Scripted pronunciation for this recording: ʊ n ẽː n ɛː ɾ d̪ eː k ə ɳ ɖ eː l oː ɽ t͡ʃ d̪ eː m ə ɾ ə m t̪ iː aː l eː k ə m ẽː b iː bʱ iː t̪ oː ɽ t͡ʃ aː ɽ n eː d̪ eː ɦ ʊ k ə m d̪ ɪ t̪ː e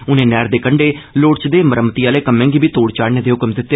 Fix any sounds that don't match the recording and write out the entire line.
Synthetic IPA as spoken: ʊ n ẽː n ɛː ɾ d̪ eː k ə ɳ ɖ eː l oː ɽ t͡ʃ d̪ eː m ə ɾ ə m t̪ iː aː l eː k ə m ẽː ɡ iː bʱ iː t̪ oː ɽ t͡ʃ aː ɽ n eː d̪ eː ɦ ʊ k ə m d̪ ɪ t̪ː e